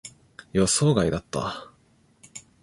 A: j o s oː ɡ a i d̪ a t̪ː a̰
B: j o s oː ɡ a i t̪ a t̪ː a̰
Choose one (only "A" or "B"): A